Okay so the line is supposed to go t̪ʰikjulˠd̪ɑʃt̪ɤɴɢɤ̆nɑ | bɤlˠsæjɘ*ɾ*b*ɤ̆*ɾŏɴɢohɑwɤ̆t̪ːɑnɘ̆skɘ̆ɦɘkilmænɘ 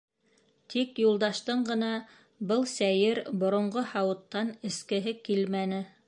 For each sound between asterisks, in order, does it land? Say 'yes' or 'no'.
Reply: yes, no

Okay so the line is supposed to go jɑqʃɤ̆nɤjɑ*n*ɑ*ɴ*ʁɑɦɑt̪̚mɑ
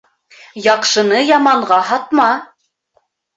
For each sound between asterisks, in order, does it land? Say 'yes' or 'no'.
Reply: no, yes

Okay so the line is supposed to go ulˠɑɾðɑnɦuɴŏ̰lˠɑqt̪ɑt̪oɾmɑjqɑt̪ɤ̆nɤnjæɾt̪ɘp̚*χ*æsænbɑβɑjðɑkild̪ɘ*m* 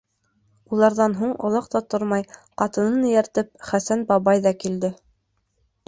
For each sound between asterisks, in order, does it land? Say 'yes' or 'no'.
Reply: yes, no

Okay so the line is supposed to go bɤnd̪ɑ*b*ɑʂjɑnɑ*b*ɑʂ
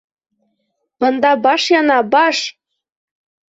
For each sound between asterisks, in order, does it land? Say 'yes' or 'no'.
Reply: yes, yes

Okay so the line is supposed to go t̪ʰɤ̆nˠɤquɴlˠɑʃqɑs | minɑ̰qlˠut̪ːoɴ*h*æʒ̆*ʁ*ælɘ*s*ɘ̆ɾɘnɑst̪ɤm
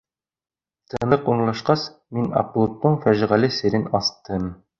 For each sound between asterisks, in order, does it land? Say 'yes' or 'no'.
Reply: no, yes, yes

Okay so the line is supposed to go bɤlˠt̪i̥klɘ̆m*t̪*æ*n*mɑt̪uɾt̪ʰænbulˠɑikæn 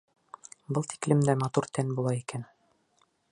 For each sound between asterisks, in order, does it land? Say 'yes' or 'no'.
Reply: no, no

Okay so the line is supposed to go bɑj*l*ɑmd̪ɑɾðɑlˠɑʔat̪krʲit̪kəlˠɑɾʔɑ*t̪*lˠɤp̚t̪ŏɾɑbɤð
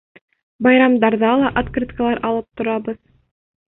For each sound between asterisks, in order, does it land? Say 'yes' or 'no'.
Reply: no, no

